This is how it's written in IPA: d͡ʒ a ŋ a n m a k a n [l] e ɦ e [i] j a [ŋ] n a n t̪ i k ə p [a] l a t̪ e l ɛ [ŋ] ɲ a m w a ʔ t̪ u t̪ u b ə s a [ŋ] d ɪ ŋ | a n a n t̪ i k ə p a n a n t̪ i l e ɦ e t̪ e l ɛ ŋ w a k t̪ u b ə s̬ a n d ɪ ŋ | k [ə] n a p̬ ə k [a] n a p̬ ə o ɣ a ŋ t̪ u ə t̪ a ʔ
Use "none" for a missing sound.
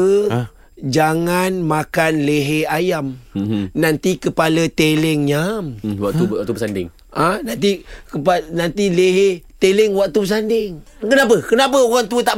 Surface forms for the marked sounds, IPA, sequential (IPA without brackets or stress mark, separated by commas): l, a, m, a, ŋ, n, ə, ə